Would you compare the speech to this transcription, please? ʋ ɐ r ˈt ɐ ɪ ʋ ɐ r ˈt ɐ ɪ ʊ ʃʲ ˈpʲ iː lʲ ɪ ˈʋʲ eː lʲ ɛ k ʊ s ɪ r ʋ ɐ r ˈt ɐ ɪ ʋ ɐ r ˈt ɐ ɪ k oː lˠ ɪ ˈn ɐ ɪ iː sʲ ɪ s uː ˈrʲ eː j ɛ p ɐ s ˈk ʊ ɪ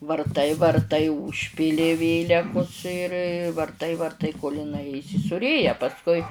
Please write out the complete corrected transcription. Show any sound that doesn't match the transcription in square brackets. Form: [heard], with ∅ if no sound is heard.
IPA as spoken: ʋ ɐ r ˈt ɐ ɪ ʋ ɐ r ˈt ɐ ɪ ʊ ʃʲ ˈpʲ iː lʲ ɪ ˈʋʲ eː lʲ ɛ k ʊ s ɪ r ʋ ɐ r ˈt ɐ ɪ ʋ ɐ r ˈt ɐ ɪ k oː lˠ ɪ ˈn ɐ ɪ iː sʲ ɪ s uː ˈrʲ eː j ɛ p ɐ s ˈk ʊ ɪ